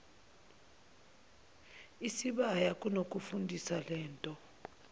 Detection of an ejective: present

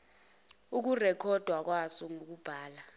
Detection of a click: absent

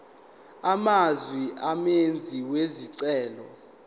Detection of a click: present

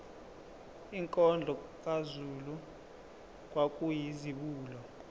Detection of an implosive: present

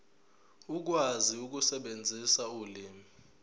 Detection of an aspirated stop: absent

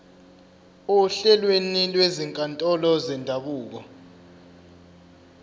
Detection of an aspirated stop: absent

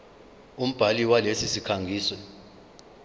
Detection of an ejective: absent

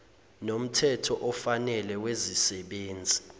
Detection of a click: absent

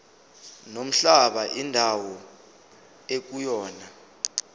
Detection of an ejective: absent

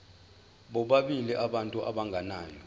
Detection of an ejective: present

